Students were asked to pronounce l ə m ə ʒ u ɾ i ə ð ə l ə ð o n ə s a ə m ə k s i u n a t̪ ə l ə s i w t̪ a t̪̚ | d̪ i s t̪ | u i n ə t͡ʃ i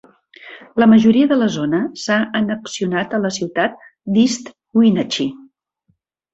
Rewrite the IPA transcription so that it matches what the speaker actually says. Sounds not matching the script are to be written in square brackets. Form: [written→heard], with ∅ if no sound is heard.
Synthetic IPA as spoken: l ə m ə ʒ u ɾ i ə ð ə l ə [ð→z] o n ə s a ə [m→n] ə k s i u n a t̪ ə l ə s i w t̪ a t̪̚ | d̪ i s t̪ | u i n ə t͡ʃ i